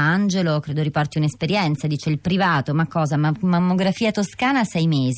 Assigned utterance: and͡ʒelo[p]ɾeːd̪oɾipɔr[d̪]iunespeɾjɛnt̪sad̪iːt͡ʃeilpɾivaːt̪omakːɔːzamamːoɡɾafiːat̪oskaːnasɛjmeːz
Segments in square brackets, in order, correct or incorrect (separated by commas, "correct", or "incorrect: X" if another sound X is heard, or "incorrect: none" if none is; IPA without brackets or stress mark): incorrect: k, incorrect: t̪